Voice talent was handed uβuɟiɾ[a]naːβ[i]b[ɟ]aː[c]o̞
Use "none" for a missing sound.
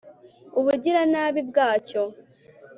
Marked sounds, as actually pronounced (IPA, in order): a, i, ɡ, c

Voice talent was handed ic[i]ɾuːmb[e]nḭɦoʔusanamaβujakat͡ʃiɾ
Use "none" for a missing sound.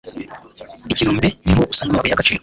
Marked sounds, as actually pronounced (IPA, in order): i, e

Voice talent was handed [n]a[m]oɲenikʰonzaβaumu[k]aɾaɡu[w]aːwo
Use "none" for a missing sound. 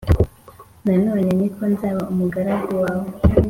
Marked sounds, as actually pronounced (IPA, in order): n, n, ɡ, w

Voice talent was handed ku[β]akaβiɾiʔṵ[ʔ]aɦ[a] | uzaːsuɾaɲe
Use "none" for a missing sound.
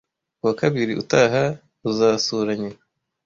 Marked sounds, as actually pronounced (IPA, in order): w, t, a

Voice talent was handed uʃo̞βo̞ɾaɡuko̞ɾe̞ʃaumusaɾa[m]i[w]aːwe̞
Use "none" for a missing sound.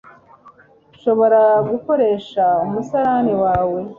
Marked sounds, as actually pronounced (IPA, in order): n, w

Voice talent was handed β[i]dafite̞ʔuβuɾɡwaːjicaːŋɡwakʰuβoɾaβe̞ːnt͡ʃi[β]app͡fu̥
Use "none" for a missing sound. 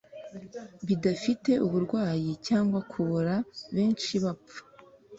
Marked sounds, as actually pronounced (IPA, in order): i, β

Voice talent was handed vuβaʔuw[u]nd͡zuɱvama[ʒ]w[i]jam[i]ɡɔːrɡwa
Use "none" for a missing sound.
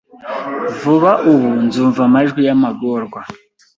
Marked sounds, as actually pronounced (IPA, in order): u, ʒ, i, a

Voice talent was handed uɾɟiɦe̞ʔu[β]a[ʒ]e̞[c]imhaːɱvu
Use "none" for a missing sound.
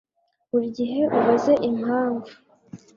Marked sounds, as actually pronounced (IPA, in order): β, z, ʔ

